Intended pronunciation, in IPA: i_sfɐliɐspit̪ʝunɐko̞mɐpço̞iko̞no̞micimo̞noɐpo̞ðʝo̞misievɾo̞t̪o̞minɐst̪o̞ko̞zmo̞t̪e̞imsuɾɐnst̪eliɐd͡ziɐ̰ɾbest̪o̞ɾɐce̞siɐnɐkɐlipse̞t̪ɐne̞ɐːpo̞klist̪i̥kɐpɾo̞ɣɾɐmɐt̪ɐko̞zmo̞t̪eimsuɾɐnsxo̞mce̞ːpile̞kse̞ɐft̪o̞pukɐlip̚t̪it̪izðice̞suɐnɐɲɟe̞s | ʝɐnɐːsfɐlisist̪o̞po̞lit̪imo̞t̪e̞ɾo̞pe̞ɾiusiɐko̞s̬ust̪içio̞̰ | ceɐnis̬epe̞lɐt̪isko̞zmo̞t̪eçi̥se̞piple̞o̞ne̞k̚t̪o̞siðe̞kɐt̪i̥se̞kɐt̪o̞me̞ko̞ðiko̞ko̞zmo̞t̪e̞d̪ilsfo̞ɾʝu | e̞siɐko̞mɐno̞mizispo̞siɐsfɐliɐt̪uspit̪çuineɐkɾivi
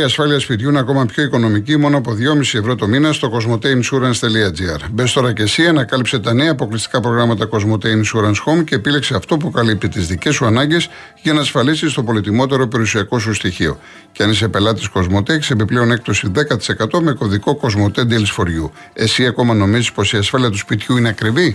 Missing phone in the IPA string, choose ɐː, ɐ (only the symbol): ɐ